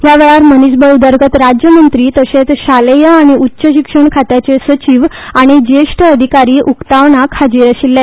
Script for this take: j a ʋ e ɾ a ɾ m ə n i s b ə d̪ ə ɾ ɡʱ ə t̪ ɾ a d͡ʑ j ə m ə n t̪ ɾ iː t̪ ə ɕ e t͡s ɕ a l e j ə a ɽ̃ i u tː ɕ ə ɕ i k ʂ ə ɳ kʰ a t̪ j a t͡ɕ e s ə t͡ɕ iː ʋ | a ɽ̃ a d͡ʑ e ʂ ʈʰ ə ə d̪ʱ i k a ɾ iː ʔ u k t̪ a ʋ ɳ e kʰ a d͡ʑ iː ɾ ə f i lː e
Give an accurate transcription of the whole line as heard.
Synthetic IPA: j a ʋ e ɭ a ɾ m ə n i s b ə d̪ ə ɾ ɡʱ ə t̪ ɾ a d͡ʑ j ə m ə n t̪ ɾ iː t̪ ə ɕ e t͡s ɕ a l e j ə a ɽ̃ i u tː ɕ ə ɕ i k ʂ ə ɳ kʰ a t̪ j a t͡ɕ e s ə t͡ɕ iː ʋ | a ɽ̃ i d͡ʑ e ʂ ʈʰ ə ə d̪ʱ i k a ɾ iː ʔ u k t̪ a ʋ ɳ a kʰ a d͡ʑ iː ɾ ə ɕ i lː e